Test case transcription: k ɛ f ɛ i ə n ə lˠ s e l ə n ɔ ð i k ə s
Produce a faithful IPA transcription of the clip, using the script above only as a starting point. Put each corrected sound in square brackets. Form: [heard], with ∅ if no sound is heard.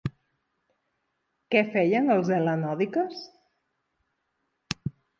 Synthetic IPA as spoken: k ɛ f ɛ [j] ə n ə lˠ [z] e l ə n ɔ ð i k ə s